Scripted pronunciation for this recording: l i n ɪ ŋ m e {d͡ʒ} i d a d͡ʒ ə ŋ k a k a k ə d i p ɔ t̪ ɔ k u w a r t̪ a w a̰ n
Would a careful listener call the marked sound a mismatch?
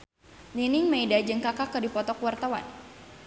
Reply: yes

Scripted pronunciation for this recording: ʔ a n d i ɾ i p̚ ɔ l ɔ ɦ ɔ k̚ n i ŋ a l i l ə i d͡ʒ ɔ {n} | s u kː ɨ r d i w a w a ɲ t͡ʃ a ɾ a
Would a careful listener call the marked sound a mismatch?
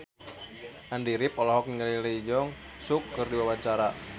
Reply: yes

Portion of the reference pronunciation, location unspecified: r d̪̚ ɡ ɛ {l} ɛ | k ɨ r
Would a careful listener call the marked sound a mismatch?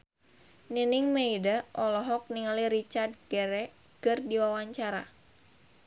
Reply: yes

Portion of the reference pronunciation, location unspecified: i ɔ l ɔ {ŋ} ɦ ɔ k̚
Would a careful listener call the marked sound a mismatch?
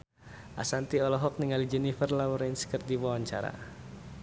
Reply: yes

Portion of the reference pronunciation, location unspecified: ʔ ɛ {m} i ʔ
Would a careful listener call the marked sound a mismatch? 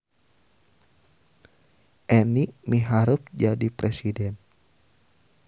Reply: yes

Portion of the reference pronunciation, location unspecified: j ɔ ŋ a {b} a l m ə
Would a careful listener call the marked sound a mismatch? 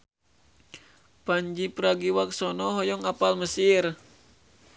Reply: yes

